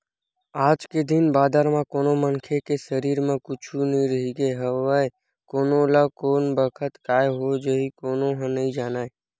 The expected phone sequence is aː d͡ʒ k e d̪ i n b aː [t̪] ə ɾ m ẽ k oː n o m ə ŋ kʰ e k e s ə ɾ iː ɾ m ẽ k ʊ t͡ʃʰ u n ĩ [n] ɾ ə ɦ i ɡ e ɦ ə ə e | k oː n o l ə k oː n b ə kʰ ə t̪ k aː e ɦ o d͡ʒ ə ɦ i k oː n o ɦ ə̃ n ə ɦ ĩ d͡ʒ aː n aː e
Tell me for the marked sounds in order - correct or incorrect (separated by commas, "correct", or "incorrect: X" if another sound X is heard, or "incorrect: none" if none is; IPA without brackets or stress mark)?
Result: incorrect: d̪, incorrect: none